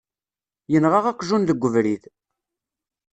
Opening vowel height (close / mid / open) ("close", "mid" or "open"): mid